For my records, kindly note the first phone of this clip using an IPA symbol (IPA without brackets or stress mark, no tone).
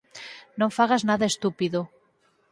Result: n